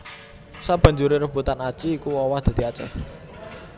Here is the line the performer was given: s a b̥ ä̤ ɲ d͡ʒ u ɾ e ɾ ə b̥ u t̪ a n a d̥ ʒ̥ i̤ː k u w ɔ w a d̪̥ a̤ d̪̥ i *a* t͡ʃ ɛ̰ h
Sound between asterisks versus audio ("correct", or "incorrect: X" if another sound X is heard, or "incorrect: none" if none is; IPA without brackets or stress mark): correct